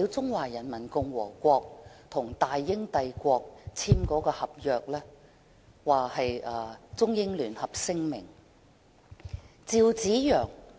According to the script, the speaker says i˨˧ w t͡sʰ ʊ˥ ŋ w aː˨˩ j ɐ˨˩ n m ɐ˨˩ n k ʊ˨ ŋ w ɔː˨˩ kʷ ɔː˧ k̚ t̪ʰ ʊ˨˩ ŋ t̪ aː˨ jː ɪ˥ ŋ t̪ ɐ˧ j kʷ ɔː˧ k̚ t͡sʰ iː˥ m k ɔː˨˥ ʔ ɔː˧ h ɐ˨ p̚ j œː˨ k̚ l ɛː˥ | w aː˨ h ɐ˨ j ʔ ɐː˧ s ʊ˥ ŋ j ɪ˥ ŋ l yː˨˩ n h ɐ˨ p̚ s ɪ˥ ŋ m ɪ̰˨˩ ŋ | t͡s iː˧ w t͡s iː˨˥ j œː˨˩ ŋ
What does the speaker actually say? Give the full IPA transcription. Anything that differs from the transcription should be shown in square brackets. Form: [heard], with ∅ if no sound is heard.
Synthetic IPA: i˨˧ w [t͡s] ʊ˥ ŋ w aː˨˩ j ɐ˨˩ n m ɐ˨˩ n k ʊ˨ ŋ w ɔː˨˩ kʷ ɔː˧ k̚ t̪ʰ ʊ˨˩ ŋ t̪ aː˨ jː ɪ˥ ŋ t̪ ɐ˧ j kʷ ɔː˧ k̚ t͡sʰ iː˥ m k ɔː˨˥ [k] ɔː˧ h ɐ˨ p̚ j œː˨ k̚ l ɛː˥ | w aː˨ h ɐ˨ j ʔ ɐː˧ [t͡s] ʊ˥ ŋ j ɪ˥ ŋ l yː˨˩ n h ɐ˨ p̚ s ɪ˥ ŋ m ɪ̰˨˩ ŋ | t͡s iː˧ w t͡s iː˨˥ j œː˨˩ ŋ